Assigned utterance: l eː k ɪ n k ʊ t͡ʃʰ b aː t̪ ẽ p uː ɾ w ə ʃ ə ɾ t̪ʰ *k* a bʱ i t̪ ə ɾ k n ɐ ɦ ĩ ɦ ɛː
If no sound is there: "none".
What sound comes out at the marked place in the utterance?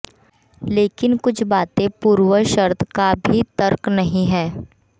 k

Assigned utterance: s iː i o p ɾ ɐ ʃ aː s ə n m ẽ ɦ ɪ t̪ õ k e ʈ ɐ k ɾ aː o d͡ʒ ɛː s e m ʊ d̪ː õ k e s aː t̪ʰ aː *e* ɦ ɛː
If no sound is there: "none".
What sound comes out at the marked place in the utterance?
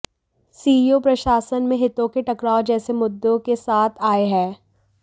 e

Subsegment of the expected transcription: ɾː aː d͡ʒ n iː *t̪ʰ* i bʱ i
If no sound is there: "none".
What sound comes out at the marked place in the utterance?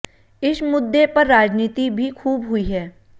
t̪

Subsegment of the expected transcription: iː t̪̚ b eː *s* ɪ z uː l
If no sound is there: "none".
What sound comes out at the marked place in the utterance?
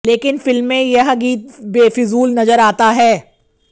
f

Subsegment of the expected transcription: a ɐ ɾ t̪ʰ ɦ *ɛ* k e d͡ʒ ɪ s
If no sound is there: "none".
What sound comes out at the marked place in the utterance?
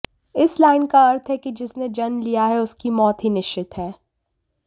ɛ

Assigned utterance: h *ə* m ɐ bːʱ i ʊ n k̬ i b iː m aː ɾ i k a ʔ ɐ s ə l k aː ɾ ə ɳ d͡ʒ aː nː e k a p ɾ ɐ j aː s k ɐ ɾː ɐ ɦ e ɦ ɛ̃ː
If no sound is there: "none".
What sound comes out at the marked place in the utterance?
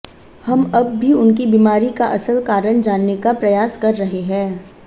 ɐ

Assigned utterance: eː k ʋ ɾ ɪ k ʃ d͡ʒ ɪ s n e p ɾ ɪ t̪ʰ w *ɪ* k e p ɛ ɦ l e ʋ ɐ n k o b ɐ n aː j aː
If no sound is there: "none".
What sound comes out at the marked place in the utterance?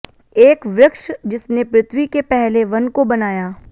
i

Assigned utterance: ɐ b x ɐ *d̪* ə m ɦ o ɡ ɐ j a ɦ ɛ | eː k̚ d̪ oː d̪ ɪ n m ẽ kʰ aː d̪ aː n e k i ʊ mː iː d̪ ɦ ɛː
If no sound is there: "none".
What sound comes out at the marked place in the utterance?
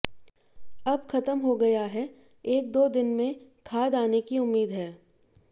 t̪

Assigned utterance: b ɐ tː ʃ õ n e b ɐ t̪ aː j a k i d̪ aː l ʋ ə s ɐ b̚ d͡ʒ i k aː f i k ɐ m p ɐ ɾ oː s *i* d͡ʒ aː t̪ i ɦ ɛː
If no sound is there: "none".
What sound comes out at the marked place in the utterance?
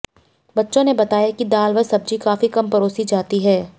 i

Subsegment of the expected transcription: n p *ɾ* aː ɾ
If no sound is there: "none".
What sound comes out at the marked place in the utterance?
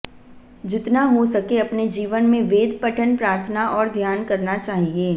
ɾ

